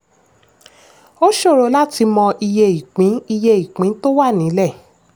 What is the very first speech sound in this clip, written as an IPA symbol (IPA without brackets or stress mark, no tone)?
o